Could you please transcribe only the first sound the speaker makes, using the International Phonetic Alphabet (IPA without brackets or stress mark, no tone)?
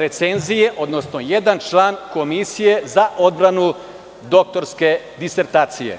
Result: ɾ